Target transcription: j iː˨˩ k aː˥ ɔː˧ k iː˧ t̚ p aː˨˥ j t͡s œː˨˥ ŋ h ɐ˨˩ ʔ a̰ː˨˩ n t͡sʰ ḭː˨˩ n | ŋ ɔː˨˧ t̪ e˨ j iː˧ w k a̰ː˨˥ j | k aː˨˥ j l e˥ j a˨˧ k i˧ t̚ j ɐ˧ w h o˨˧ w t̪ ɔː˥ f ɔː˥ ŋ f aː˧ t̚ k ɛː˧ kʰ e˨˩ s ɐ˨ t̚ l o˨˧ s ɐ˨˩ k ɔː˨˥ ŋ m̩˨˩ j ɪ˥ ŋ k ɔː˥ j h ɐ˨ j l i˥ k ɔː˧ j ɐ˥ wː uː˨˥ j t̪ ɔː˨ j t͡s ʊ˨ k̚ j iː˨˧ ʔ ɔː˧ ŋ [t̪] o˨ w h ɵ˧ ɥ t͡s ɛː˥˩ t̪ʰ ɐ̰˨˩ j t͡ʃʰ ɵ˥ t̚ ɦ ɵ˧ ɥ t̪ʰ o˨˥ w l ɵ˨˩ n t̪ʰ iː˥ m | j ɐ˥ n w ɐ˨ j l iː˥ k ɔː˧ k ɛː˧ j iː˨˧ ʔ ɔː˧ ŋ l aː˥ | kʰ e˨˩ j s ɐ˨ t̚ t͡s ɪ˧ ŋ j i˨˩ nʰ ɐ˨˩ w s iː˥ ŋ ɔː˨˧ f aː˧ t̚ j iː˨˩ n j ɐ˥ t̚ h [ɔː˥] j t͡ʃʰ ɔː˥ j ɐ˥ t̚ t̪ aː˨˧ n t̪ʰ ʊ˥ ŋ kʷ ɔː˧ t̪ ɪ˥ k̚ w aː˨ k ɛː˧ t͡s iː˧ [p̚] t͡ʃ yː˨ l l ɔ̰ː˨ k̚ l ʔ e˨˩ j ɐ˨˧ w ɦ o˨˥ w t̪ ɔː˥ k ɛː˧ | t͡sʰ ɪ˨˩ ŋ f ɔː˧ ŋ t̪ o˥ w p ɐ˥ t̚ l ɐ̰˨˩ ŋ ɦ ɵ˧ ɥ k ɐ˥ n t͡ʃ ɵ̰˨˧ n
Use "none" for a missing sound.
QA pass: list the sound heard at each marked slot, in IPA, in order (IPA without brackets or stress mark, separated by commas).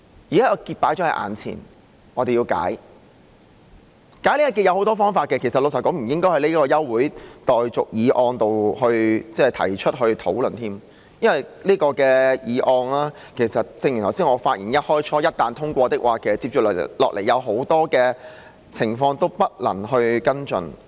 t̪, ɔː˥, p̚